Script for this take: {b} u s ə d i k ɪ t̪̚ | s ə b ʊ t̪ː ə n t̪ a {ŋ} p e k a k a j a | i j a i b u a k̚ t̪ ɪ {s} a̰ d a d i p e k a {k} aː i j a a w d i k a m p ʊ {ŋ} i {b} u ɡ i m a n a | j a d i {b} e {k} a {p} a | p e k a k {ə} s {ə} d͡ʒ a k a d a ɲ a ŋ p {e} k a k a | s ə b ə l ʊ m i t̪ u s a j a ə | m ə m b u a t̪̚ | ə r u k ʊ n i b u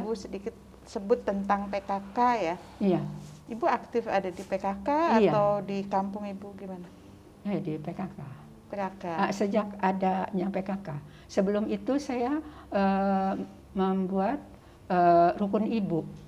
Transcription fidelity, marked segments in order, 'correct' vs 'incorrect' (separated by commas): correct, correct, incorrect, correct, correct, correct, incorrect, correct, incorrect, incorrect, correct, correct